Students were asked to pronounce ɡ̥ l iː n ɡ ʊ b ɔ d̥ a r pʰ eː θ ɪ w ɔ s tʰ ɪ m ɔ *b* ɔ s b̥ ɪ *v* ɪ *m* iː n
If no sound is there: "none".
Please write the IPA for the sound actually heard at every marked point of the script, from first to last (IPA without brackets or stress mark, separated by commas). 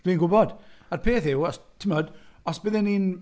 d, ð, n